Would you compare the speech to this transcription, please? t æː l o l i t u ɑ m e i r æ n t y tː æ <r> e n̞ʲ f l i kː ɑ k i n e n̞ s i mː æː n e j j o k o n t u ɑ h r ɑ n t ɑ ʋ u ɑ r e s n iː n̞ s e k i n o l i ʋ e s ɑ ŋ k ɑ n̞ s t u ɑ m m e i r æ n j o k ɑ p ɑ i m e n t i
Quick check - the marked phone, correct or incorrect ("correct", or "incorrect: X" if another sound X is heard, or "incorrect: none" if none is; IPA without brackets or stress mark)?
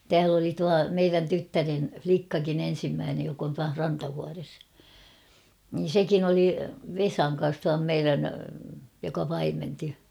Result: correct